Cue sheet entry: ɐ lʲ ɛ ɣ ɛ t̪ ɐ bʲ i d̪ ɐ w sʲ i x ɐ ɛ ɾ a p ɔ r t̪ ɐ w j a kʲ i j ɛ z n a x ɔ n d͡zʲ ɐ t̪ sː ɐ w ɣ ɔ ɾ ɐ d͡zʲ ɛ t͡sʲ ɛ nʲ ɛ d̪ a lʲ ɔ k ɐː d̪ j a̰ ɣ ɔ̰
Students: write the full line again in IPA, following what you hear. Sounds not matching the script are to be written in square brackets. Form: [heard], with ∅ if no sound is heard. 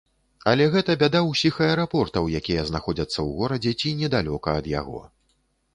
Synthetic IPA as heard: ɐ lʲ ɛ ɣ ɛ t̪ ɐ bʲ [a] d̪ [a] w sʲ i x ɐ ɛ ɾ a p ɔ r t̪ ɐ w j a kʲ i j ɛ z n a x ɔ [∅] d͡zʲ ɐ t̪ sː ɐ w ɣ ɔ ɾ ɐ d͡zʲ ɛ t͡sʲ [i] nʲ ɛ d̪ a lʲ ɔ k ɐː d̪ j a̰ ɣ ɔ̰